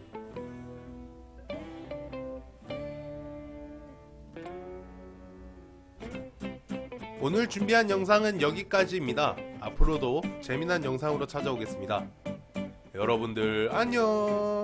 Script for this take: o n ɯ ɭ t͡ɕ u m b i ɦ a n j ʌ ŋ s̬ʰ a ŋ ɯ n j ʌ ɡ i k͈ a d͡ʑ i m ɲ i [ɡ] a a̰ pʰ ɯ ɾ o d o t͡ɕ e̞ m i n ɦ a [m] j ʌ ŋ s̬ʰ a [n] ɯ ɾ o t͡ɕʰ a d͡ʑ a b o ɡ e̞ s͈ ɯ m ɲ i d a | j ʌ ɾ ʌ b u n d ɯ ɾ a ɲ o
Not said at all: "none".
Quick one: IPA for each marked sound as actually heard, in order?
d, n, ŋ

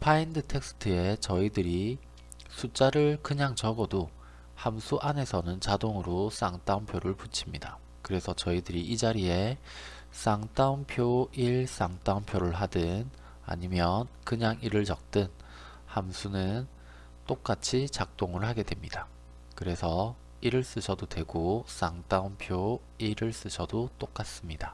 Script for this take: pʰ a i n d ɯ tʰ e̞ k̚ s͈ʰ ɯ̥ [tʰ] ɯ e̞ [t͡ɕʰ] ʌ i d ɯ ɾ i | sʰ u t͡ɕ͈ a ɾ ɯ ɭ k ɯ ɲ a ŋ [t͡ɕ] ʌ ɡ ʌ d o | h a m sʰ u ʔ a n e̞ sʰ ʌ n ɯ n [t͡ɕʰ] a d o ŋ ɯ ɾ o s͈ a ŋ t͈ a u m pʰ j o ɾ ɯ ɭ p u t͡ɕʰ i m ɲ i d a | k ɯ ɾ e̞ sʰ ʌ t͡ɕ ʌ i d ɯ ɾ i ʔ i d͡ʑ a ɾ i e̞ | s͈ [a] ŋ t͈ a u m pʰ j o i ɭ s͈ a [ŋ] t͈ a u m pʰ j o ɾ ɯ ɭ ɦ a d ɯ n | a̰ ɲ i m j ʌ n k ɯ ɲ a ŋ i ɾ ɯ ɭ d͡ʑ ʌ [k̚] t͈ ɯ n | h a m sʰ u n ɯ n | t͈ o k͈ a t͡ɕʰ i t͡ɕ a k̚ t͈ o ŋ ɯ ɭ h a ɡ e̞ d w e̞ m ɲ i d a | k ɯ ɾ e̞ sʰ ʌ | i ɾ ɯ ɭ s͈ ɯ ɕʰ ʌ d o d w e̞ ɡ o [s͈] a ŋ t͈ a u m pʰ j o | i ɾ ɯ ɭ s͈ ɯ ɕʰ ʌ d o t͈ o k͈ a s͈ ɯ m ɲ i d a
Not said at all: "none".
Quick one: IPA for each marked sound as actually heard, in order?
tʰ, t͡ɕ, t͡ɕ, t͡ɕ, a, ŋ, k̚, s͈

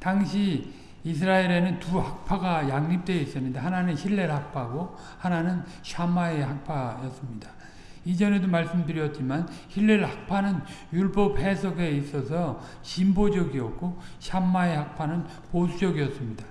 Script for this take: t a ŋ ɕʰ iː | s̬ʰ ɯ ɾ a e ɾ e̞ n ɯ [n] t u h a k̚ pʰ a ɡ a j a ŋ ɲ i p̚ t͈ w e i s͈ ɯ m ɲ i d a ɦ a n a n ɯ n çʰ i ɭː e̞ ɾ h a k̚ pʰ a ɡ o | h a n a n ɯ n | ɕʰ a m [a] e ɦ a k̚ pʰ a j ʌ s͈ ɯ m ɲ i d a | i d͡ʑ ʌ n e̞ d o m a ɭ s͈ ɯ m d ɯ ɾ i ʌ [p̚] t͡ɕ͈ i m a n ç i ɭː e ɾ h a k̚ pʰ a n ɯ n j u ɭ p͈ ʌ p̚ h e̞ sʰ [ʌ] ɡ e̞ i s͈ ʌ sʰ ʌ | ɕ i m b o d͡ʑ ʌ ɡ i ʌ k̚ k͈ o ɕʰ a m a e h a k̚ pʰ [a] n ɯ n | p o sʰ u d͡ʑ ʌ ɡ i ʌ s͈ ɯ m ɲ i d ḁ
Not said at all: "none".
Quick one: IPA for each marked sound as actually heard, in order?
n, a, t̚, ʌ, a

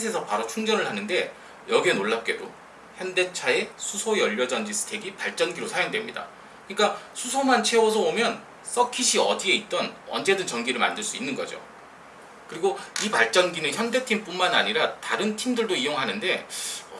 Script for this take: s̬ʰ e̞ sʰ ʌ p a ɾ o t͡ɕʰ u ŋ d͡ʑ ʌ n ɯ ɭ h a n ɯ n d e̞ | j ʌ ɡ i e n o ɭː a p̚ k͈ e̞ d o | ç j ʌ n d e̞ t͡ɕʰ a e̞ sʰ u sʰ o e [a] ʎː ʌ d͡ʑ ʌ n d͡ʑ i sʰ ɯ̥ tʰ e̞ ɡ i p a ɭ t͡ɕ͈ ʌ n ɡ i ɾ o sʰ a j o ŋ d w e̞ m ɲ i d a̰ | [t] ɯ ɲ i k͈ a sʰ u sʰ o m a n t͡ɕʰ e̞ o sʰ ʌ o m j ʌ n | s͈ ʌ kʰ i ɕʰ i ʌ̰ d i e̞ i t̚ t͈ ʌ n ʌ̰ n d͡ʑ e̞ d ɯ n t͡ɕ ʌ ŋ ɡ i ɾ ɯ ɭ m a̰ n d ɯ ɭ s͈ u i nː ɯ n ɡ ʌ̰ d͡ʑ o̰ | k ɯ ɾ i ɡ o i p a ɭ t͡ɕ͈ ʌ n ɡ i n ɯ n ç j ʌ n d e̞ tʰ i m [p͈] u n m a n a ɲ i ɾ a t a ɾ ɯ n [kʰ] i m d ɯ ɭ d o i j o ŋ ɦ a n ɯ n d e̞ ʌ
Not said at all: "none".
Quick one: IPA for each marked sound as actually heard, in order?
ʌ, k, p͈, tʰ

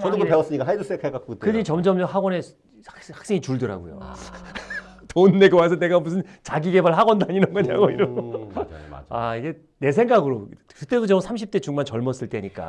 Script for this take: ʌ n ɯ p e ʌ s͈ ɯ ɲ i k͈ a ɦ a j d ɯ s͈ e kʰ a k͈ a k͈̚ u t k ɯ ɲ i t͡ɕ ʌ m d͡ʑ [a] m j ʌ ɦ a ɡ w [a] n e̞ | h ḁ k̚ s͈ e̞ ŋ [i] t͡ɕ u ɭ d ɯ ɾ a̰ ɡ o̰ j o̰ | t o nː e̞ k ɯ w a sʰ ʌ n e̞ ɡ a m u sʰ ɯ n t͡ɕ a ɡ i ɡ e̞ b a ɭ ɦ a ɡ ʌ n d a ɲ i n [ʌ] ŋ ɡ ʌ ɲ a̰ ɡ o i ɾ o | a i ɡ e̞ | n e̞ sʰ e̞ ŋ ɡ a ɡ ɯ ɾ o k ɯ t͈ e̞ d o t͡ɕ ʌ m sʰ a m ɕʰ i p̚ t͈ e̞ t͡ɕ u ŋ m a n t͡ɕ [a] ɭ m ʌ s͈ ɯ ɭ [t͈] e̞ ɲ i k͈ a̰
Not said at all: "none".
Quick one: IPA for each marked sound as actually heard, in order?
ʌ, ʌ, i, ʌ, ʌ, t͈

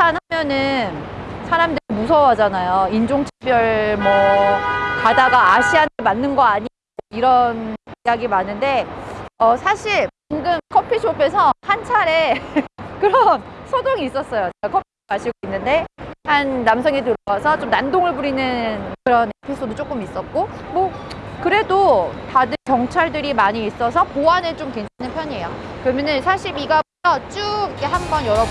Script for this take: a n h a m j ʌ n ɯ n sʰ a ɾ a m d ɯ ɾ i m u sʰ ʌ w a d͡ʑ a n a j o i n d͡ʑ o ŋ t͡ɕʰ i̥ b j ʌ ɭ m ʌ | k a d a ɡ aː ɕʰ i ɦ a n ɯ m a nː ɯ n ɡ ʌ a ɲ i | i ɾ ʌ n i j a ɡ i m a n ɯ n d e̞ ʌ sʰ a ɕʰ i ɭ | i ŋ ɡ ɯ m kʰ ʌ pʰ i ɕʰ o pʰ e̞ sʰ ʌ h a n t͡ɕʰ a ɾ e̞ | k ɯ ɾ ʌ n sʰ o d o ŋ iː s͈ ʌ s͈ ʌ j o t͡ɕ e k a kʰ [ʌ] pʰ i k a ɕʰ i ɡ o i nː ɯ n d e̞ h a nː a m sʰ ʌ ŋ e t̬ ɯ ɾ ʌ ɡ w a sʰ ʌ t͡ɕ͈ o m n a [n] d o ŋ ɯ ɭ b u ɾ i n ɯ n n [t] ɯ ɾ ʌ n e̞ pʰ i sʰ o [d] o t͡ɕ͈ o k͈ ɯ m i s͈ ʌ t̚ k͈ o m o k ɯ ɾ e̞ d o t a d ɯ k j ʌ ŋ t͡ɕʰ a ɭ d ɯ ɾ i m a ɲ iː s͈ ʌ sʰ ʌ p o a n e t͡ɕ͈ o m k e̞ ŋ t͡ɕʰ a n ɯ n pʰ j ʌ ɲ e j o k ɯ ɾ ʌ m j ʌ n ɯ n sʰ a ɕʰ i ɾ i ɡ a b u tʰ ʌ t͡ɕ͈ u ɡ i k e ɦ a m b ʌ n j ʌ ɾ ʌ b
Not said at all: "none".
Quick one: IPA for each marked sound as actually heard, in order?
ʌ, n, k, d

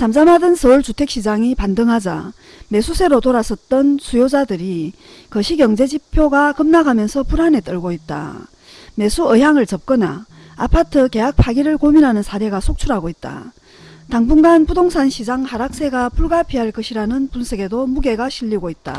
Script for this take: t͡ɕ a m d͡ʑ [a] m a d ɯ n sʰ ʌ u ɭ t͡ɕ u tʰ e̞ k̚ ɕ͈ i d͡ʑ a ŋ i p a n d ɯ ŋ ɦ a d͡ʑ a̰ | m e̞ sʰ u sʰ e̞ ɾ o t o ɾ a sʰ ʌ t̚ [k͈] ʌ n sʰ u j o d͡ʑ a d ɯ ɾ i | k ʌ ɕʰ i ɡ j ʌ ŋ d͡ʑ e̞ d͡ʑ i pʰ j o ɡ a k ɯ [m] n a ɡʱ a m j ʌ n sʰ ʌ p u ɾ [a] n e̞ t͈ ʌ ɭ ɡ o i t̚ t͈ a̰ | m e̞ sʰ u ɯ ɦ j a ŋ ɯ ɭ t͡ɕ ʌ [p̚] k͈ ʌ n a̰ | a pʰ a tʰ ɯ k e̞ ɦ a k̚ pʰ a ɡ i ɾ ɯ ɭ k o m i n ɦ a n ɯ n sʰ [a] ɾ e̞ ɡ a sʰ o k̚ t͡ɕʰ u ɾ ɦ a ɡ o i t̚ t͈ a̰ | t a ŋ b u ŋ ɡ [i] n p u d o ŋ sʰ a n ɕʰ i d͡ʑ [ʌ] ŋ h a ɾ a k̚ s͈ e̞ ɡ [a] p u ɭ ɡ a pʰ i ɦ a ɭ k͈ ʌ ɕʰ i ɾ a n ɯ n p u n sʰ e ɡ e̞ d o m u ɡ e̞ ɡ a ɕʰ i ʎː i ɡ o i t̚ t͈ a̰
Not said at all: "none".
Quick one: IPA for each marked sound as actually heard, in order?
a, t͈, m, a, p̚, a, a, a, a

